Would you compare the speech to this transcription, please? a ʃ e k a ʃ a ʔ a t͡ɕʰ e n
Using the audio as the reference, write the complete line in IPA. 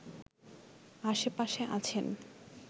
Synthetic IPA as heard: a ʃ e p a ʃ e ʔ a t͡ɕʰ e n